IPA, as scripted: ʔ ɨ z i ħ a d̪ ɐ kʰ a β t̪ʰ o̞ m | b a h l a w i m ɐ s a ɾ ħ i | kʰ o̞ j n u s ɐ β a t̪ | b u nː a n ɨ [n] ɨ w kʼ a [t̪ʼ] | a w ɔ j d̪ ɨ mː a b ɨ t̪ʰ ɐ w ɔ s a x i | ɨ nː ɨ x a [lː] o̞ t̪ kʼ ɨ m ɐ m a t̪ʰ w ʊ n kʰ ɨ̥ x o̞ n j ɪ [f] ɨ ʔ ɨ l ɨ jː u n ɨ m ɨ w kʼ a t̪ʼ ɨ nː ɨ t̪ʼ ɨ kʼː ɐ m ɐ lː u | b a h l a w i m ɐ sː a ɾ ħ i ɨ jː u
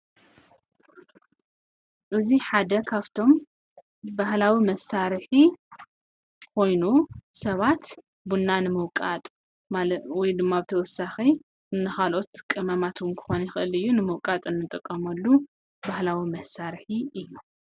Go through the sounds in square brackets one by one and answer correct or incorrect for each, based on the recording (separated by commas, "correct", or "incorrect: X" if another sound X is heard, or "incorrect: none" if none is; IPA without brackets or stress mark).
incorrect: m, correct, incorrect: l, incorrect: x